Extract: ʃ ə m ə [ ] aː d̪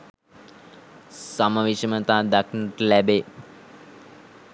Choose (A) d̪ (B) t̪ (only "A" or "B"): B